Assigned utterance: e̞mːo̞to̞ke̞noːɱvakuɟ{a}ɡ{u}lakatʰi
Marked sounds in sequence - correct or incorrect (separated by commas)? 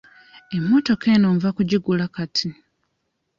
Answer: incorrect, correct